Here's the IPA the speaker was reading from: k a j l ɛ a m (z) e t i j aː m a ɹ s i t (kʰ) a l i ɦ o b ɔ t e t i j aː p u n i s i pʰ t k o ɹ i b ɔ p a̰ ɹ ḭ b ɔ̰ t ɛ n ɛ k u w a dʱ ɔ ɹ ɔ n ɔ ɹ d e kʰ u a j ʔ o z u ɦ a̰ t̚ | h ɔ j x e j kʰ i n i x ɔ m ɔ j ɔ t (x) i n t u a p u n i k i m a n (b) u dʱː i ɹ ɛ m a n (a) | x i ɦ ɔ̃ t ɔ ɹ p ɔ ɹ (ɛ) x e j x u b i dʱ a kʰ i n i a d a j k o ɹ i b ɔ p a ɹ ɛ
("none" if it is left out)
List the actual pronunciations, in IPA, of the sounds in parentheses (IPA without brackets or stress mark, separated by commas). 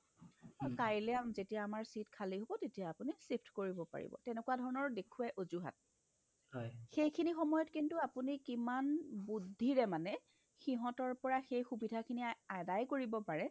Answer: z, kʰ, k, b, ɛ, a